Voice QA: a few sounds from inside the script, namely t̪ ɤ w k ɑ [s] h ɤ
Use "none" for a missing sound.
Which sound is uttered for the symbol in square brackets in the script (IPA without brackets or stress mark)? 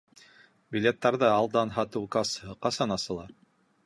s